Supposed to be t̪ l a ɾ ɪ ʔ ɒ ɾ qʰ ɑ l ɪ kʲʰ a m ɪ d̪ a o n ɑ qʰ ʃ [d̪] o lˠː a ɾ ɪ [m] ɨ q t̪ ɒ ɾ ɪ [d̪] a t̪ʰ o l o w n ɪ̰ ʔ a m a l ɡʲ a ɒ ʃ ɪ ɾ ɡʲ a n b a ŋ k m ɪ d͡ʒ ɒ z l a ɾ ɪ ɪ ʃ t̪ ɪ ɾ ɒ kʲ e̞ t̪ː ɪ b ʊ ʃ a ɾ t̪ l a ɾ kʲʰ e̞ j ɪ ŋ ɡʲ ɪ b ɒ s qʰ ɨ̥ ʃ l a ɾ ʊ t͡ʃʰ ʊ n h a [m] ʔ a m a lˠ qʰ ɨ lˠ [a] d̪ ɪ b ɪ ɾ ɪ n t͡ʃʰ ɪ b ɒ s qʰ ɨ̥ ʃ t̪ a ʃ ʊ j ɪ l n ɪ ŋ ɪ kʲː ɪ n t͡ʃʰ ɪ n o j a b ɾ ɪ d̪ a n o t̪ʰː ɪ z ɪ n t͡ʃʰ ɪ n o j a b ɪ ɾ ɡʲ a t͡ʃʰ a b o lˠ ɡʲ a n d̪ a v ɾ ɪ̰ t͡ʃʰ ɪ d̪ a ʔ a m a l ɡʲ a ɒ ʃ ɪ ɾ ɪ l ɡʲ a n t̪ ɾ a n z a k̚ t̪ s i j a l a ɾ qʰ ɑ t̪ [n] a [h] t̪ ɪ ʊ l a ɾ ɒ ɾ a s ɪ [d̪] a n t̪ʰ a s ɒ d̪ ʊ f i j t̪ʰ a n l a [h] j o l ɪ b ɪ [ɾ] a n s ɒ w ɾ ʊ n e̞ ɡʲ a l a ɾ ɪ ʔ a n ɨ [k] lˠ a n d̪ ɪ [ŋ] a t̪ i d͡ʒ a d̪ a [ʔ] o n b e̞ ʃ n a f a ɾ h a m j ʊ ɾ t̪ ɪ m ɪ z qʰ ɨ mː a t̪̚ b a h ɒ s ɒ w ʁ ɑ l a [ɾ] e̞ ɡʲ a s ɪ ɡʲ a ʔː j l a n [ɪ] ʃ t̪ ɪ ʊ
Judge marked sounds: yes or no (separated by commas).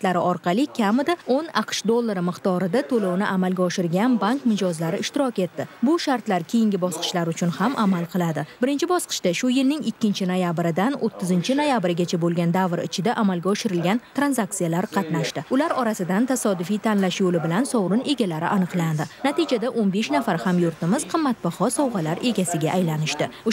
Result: yes, yes, yes, yes, yes, yes, no, yes, no, no, no, no, yes, yes, yes